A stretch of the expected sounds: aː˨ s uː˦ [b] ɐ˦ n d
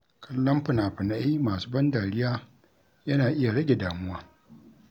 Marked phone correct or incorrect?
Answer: correct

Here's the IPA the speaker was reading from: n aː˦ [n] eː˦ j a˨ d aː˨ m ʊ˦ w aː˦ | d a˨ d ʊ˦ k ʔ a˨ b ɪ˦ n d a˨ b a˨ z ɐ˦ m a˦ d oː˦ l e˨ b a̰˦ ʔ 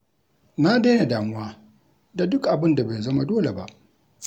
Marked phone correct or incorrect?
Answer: incorrect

